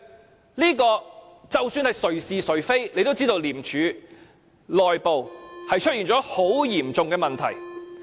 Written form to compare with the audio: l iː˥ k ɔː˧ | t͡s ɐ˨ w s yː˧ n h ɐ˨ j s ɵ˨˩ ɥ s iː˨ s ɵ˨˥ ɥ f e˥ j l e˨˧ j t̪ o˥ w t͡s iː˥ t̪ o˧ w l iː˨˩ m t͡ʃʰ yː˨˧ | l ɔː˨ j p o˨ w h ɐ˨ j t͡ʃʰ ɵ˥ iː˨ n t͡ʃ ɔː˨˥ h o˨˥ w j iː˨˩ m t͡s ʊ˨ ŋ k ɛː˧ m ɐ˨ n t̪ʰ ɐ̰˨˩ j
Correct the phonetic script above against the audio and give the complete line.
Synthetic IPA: l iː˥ k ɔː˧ | t͡s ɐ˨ w s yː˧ n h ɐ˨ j s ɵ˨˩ ɥ s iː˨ s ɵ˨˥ ɥ f e˥ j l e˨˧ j t̪ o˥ w t͡s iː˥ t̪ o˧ w l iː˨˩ m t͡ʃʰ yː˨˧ | l ɔː˨ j p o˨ w h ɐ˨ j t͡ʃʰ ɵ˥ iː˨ n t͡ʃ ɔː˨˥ h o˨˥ w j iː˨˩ m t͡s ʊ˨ ŋ k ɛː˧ m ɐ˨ n t̪ʰ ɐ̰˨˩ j

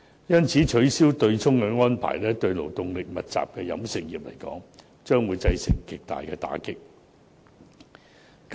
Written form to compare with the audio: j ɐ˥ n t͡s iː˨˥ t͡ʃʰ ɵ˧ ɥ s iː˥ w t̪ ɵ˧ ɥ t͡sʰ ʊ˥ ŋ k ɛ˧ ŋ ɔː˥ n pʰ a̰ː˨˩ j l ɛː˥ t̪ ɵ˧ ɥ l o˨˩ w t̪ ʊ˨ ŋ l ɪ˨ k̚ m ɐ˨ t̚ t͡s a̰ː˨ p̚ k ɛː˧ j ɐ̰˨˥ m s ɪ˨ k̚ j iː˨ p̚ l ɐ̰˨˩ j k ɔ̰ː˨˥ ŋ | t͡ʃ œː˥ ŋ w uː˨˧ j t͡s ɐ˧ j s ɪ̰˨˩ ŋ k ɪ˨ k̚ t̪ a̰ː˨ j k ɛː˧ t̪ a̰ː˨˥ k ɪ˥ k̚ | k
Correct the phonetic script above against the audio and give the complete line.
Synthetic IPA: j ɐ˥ n t͡sʰ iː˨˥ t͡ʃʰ ɵ˨˥ ɥ s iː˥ w t̪ ɵ˧ ɥ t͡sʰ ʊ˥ ŋ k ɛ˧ ŋ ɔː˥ n pʰ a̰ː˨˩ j l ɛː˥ t̪ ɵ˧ ɥ l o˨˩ w t̪ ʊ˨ ŋ l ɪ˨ k̚ m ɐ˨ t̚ t͡s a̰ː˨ p̚ k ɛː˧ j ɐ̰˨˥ m s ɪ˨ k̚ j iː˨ p̚ l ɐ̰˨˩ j k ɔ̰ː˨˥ ŋ | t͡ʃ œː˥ ŋ w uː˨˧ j t͡s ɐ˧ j s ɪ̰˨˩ ŋ k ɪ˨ k̚ t̪ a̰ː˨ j k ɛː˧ t̪ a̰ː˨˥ k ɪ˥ k̚ | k

